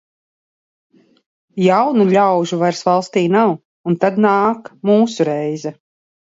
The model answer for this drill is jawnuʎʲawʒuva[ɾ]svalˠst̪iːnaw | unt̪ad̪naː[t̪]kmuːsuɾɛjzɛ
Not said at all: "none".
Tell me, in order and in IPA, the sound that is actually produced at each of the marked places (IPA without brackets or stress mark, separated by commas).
ɾ, none